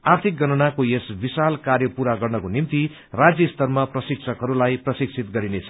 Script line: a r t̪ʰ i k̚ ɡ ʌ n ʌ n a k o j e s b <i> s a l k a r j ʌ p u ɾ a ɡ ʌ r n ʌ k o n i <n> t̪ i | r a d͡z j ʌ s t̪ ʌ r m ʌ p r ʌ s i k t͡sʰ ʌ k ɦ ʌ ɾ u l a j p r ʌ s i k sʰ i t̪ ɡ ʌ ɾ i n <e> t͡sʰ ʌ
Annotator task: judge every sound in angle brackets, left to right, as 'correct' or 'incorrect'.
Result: correct, incorrect: m, correct

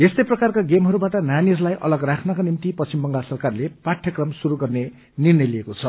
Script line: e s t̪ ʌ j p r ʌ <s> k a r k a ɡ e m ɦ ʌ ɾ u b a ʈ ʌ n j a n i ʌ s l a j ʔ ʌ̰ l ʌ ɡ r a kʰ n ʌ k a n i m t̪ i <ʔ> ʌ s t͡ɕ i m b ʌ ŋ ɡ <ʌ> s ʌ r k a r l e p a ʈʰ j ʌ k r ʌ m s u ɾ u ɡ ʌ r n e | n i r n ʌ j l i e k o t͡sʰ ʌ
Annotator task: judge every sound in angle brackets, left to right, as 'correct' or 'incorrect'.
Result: incorrect: none, incorrect: p, incorrect: a

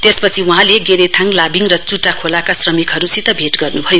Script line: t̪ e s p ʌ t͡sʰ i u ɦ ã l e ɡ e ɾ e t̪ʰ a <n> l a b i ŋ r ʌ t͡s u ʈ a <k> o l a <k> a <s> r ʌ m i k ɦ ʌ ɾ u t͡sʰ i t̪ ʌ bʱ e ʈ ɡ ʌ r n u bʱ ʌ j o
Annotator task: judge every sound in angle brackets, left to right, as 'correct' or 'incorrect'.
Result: incorrect: ŋ, incorrect: kʰ, correct, correct

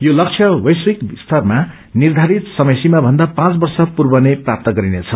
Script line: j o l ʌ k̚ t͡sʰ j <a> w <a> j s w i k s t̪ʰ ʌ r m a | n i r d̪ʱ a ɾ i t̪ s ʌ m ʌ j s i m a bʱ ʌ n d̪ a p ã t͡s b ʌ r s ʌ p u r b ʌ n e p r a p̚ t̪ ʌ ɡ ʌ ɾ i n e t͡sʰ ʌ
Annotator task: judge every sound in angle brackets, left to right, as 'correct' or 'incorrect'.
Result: incorrect: ʌ, incorrect: ʌ

